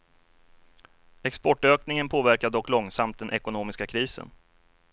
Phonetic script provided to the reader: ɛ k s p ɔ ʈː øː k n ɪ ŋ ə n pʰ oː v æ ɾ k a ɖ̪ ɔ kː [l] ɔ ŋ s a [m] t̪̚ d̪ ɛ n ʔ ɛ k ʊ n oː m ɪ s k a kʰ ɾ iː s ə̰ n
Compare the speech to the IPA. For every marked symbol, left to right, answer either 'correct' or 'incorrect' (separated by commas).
correct, correct